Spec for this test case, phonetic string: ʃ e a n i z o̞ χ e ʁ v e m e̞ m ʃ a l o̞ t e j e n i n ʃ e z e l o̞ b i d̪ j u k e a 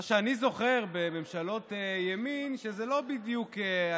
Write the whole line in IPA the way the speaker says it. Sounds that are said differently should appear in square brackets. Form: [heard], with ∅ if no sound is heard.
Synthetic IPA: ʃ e a n i z o̞ χ e ʁ [b] e m e̞ m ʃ a l o̞ t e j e [m] i n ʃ e z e l o̞ b i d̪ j u k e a